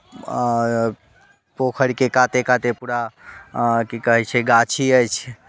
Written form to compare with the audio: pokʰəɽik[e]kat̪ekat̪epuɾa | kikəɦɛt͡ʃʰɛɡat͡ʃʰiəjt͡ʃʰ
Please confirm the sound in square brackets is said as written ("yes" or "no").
yes